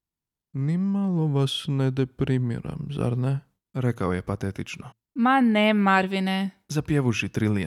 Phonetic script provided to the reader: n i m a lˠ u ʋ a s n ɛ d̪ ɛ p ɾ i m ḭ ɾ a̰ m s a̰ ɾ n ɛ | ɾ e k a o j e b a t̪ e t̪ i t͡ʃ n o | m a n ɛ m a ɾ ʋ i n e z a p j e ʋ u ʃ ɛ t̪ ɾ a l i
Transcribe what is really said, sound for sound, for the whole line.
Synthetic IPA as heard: n i m a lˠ o ʋ a s n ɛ d̪ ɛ p ɾ i m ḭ ɾ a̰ m z a̰ ɾ n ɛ | ɾ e k a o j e p a t̪ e t̪ i t͡ʃ n o | m a n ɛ m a ɾ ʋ i n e z a p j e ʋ u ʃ i t̪ ɾ i l i